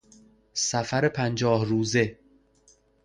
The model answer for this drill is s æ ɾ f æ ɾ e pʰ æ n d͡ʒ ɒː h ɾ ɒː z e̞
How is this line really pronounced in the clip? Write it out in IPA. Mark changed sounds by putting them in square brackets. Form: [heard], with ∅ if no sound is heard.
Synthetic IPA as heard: s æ [∅] f æ ɾ e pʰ æ n d͡ʒ ɒː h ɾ [uː] z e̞